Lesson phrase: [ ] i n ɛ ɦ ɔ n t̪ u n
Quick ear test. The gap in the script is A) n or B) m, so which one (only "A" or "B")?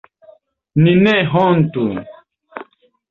A